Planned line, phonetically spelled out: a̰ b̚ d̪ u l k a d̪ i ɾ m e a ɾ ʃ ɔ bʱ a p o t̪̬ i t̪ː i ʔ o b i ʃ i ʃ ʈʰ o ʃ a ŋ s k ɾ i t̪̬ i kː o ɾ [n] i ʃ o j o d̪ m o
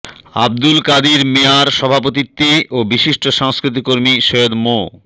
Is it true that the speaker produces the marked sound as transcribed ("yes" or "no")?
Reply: no